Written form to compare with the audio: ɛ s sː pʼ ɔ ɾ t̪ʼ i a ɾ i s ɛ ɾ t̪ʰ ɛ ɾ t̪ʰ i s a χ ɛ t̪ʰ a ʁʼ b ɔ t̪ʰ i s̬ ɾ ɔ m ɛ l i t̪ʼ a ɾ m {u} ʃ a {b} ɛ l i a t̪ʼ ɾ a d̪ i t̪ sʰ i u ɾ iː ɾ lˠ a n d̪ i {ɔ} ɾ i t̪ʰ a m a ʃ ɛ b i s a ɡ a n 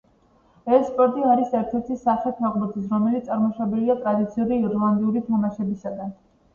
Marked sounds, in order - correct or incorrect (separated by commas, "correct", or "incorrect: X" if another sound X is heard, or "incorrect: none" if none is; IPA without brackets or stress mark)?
incorrect: ɔ, correct, incorrect: u